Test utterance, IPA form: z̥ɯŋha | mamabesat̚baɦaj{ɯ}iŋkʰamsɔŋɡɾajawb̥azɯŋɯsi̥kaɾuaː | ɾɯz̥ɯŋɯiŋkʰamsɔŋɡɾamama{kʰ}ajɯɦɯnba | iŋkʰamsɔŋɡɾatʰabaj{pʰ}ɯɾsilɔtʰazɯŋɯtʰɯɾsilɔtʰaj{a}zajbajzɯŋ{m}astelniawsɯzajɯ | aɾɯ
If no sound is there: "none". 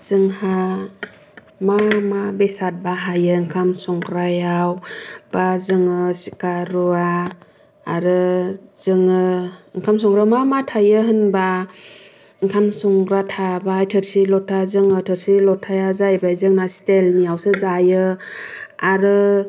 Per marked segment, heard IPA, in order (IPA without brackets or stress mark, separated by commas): ɯ, tʰ, tʰ, a, n